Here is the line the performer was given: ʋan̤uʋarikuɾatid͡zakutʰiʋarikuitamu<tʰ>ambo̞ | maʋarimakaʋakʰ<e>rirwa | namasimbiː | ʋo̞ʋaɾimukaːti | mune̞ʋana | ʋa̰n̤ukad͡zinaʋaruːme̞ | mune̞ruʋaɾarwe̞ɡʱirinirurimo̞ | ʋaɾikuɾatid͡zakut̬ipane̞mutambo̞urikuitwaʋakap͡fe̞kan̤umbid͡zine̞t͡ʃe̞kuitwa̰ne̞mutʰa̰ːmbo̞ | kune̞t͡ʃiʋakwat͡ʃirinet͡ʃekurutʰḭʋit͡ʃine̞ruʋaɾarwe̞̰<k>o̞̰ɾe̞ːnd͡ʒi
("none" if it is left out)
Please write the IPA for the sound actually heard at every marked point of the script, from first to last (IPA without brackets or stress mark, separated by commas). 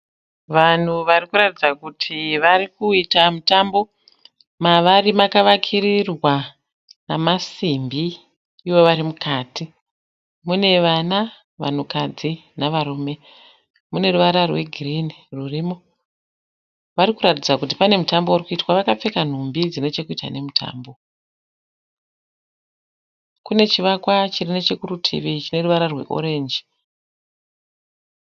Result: t, i, ʔ